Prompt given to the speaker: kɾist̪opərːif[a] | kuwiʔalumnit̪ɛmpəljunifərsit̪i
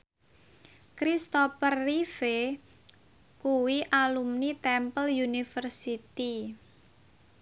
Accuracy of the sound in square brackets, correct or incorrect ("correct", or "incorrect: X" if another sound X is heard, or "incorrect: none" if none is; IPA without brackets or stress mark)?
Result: incorrect: e